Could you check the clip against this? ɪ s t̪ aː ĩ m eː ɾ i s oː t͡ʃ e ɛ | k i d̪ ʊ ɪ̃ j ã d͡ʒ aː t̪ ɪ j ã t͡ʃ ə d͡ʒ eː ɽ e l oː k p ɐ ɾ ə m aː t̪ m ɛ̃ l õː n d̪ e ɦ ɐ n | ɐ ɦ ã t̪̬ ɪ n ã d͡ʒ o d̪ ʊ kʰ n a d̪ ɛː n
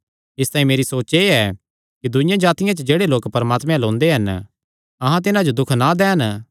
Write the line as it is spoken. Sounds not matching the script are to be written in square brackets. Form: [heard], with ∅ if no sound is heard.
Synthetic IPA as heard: ɪ s t̪ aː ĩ m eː ɾ i s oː t͡ʃ e ɛ | k i d̪ ʊ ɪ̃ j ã d͡ʒ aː t̪ ɪ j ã t͡ʃ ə d͡ʒ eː ɽ e l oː k p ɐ ɾ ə m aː t̪ m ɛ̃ l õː n d̪ e ɦ ɐ n | ɐ ɦ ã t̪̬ ɪ n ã d͡ʒ o d̪ ʊ kʰ n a d̪ ɛː n